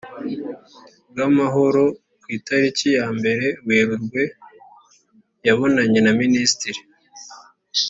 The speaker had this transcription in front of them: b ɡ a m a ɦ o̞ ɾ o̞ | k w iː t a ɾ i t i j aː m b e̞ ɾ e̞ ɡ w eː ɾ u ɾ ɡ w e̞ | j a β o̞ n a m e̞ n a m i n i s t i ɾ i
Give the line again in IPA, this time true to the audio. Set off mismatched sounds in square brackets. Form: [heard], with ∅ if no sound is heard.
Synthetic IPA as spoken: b ɡ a m a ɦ o̞ ɾ o̞ | k w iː t a ɾ i [c] i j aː m b e̞ ɾ e̞ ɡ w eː ɾ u ɾ ɡ w e̞ | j a β o̞ n a [ɲ] e̞ n a m i n i s t i ɾ i